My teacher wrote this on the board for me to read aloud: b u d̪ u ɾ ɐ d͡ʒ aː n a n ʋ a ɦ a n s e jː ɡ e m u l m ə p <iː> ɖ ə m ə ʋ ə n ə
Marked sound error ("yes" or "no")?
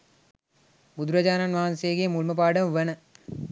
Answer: yes